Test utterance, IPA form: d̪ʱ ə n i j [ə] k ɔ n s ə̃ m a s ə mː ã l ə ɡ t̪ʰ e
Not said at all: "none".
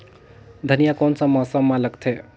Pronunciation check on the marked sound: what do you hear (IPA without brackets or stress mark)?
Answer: a